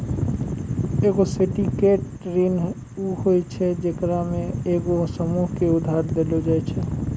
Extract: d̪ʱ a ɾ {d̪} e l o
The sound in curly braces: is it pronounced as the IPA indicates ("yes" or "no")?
yes